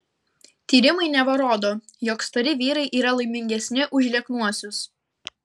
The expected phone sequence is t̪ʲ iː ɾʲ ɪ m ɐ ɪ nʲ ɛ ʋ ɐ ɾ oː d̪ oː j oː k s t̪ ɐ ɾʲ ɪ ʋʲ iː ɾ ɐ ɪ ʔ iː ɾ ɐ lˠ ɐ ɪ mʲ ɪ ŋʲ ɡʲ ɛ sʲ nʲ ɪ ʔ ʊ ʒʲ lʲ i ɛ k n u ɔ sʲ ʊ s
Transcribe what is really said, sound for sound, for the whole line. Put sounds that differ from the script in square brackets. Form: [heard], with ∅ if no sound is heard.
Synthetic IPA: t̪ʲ iː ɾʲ ɪ m ɐ ɪ nʲ ɛ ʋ ɐ ɾ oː d̪ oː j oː k s t̪ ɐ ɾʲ ɪ ʋʲ iː ɾ ɐ ɪ ʔ iː ɾ ɐ lˠ ɐ ɪ mʲ ɪ ŋʲ ɡʲ ɛ sʲ nʲ ɪ ʔ ʊ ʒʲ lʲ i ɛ k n u ɔ sʲ ʊ s